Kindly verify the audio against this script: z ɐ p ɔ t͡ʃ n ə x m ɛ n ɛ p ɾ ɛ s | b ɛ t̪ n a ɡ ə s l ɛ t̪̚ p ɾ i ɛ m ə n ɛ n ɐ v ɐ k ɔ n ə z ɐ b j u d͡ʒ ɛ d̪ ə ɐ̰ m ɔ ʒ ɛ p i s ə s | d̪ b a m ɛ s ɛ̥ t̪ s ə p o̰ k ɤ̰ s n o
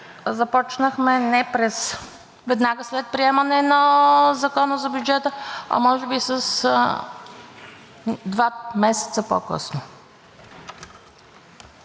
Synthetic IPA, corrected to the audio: z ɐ p ɔ t͡ʃ n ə x m ɛ n ɛ p ɾ ɛ s | v ɛ d̪ n a ɡ ə s l ɛ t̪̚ p ɾ i ɛ m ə n ɛ n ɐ z ɐ k ɔ n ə z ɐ b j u d͡ʒ ɛ t̪ ə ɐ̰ m ɔ ʒ ɛ b i s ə s | d̪ v a m ɛ s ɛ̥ t̪ s ə p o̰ k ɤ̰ s n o